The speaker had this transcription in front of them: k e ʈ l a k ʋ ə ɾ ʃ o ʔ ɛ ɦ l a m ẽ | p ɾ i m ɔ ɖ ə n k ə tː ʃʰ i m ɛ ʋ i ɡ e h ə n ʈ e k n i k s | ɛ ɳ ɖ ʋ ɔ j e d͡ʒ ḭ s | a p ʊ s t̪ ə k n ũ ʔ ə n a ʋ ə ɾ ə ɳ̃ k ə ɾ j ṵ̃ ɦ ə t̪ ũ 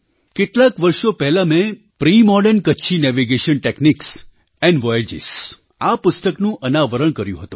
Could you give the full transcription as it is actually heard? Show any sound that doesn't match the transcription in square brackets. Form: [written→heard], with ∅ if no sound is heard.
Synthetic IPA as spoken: k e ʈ l a k ʋ ə ɾ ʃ o [ʔ→p] ɛ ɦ l a m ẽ | p ɾ i m ɔ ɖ ə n k ə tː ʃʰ i [m→n] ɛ ʋ i ɡ e [h→ʃ] ə n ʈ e k n i k s | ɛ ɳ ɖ ʋ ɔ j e d͡ʒ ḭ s | a p ʊ s t̪ ə k n ũ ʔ ə n a ʋ ə ɾ ə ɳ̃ k ə ɾ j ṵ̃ ɦ ə t̪ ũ